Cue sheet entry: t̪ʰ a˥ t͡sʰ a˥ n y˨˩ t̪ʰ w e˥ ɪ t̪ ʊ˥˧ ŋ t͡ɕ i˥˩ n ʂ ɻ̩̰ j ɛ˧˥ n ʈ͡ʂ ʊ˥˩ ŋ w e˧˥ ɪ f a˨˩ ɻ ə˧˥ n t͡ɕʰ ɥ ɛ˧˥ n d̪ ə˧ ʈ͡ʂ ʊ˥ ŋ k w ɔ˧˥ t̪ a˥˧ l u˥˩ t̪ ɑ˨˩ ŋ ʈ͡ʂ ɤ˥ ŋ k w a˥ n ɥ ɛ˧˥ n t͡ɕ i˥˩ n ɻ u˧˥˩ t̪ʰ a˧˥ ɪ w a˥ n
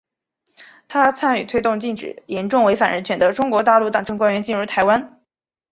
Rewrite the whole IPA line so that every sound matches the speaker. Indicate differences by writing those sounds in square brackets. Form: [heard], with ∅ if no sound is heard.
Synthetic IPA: t̪ʰ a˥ t͡sʰ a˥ n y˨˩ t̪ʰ w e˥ ɪ t̪ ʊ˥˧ ŋ t͡ɕ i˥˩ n [ʈ͡ʂ] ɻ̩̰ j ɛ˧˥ n ʈ͡ʂ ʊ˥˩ ŋ w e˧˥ ɪ f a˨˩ ɻ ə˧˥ n t͡ɕʰ ɥ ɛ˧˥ n d̪ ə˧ ʈ͡ʂ ʊ˥ ŋ k w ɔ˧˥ t̪ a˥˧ l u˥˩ t̪ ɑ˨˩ ŋ ʈ͡ʂ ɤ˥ ŋ k w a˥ n ɥ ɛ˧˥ n t͡ɕ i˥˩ n ɻ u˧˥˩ t̪ʰ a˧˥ ɪ w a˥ n